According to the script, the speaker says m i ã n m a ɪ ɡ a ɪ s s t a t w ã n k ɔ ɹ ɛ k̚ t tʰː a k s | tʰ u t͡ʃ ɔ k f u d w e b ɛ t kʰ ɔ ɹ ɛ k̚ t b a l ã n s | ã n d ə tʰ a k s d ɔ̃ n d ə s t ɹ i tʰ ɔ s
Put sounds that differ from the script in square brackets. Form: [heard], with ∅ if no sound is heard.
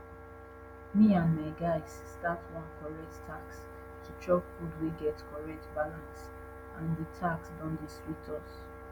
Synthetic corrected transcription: m i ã n m a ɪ ɡ a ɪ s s t a t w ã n k ɔ ɹ ɛ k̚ t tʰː a k s | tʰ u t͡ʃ ɔ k f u d w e [ɡ] ɛ t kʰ ɔ ɹ ɛ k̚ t b a l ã n s | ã n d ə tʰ a k s d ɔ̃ n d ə s t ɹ i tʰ ɔ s